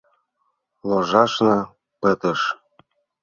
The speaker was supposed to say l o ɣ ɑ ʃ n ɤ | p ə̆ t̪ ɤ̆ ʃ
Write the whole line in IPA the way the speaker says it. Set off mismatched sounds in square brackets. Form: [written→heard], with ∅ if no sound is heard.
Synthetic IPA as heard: l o [ɣ→ʒ] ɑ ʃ n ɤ | p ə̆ t̪ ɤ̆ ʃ